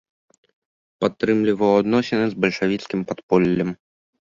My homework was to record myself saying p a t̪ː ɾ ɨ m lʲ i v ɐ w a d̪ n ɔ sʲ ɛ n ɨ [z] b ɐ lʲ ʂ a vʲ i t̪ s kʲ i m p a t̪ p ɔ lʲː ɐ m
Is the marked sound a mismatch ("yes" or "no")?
no